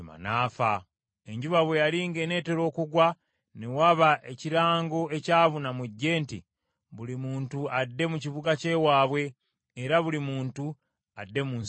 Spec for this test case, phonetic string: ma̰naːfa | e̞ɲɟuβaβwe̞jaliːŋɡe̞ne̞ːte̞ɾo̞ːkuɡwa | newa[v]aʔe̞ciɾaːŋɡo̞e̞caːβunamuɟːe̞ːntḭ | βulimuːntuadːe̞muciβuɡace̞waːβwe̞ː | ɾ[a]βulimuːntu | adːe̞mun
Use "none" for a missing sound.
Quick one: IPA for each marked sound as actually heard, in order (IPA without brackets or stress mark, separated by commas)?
β, a